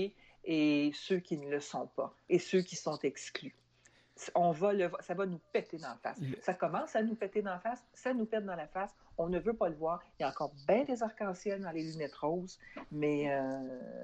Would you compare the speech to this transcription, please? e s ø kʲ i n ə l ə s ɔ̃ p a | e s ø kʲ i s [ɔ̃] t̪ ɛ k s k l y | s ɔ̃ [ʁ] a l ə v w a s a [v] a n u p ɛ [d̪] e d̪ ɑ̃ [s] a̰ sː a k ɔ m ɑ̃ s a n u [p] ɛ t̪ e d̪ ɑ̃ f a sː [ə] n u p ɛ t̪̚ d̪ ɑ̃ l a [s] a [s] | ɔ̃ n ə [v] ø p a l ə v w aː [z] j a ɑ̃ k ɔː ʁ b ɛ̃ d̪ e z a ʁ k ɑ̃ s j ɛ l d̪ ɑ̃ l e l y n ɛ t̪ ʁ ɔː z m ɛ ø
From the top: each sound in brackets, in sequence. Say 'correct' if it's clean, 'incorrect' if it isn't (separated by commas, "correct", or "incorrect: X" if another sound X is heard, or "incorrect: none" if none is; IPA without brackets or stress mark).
correct, incorrect: v, correct, incorrect: t̪, incorrect: f, correct, incorrect: a, incorrect: f, correct, correct, incorrect: ʁ